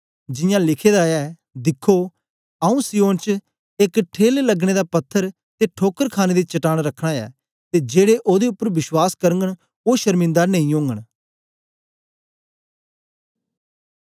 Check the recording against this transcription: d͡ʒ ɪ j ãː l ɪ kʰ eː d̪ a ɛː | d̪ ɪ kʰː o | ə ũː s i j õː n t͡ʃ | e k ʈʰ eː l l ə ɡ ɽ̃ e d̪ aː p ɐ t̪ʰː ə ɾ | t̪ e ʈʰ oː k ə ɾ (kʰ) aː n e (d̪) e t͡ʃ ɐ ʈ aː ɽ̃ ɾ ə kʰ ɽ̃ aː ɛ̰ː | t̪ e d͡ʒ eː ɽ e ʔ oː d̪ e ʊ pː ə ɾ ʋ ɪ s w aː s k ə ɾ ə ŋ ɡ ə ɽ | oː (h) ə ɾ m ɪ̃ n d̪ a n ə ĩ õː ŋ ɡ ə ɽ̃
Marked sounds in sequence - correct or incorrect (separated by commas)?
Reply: correct, correct, incorrect